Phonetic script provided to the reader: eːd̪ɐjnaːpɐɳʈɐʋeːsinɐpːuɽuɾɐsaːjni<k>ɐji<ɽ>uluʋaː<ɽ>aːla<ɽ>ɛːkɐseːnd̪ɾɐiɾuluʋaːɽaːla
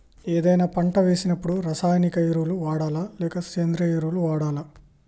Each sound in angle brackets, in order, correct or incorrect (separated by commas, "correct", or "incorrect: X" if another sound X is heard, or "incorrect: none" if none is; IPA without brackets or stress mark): correct, incorrect: ɾ, correct, incorrect: l